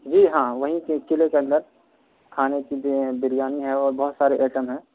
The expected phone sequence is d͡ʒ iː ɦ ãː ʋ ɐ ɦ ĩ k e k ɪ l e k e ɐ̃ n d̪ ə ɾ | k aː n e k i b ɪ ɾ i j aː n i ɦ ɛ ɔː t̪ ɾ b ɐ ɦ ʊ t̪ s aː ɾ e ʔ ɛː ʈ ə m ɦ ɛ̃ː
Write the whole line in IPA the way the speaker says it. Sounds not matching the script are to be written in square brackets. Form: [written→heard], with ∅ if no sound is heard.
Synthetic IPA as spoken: d͡ʒ iː ɦ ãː ʋ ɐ ɦ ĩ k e k ɪ l e k e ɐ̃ n d̪ ə ɾ | [k→kʰ] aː n e k i b ɪ ɾ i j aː n i ɦ ɛ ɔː [t̪→∅] ɾ b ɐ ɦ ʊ t̪ s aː ɾ e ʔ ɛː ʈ ə m ɦ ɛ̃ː